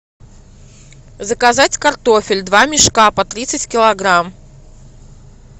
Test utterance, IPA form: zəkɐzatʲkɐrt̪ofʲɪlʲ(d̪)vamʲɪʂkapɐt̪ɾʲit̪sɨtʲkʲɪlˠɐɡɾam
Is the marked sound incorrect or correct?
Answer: correct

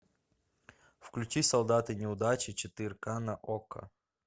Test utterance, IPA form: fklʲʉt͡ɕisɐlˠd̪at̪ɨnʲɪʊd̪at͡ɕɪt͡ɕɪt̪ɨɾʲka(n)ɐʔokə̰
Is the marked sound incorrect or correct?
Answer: correct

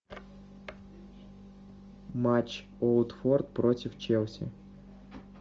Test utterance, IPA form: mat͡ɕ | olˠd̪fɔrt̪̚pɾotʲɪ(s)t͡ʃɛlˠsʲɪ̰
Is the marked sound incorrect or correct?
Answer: incorrect: f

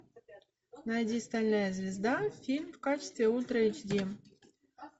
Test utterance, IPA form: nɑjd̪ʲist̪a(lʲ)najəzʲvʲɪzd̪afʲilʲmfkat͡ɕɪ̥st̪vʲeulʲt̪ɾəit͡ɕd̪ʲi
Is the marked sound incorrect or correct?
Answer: correct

